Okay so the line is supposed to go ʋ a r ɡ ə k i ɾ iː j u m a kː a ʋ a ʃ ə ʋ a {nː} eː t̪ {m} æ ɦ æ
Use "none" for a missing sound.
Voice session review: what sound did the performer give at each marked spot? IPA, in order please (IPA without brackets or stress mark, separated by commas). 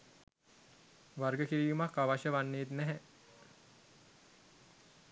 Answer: nː, n